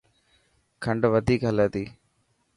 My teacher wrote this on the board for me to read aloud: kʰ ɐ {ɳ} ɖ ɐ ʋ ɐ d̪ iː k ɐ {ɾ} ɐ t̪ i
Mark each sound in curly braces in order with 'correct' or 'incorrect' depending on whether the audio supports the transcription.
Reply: correct, incorrect: l

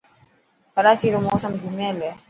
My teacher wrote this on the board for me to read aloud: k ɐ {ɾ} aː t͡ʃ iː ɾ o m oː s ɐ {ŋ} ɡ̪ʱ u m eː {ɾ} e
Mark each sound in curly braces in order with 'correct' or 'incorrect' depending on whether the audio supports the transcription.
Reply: correct, incorrect: m, incorrect: l

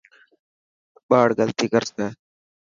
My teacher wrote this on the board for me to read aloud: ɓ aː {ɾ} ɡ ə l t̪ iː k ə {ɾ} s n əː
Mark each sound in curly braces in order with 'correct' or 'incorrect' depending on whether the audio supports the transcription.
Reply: incorrect: ɽ, correct

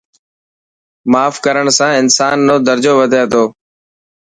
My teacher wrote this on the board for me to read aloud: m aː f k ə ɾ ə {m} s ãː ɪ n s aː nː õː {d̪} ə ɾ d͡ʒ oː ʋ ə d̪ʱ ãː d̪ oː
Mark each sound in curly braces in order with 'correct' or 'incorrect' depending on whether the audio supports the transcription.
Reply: incorrect: ɳ, correct

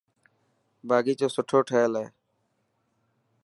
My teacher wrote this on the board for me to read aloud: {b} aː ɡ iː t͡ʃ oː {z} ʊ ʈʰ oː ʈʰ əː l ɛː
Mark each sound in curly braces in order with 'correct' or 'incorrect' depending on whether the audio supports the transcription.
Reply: correct, incorrect: s

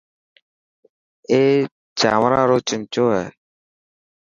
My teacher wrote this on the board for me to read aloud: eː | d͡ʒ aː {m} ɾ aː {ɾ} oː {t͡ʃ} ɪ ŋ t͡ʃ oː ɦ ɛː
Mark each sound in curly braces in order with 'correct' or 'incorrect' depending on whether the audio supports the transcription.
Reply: correct, correct, correct

